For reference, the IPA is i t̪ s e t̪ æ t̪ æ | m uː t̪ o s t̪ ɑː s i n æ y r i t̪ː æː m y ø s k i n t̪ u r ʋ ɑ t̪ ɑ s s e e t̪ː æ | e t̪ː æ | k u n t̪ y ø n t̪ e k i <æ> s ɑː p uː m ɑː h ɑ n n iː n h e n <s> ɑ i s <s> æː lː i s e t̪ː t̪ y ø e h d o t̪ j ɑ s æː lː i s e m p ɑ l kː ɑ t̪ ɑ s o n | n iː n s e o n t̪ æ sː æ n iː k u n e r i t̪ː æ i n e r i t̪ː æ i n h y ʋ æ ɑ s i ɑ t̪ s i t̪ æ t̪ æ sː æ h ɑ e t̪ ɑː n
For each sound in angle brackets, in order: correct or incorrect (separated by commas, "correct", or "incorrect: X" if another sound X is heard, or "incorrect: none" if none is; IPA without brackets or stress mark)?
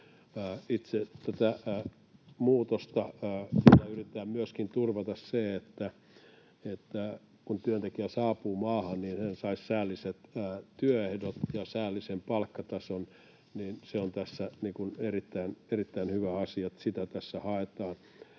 correct, correct, correct